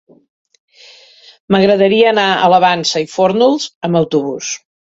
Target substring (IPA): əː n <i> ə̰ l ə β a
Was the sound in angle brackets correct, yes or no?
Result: no